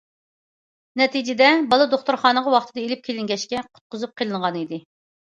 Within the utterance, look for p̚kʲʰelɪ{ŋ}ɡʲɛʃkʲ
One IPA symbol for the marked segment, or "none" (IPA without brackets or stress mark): ŋ